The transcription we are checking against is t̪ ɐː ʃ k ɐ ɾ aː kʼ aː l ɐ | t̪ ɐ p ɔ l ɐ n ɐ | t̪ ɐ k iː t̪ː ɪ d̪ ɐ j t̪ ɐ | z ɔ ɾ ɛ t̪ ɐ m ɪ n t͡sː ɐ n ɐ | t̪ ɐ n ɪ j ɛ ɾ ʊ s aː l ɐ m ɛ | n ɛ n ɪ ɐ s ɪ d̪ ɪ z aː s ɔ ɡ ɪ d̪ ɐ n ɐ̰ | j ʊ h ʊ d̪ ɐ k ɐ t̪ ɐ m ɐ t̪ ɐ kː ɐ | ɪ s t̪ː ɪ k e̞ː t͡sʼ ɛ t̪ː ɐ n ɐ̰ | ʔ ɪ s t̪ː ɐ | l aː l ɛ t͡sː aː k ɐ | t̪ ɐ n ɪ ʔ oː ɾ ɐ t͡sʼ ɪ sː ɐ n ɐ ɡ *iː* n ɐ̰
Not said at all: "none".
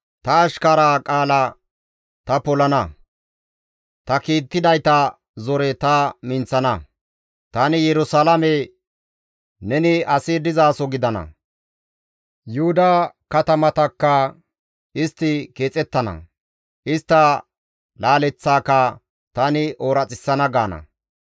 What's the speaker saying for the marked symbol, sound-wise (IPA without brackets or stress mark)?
aː